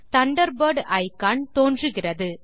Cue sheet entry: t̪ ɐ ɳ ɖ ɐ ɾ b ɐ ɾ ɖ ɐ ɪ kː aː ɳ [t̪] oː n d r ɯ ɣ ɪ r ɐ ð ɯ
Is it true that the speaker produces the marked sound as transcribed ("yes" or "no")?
yes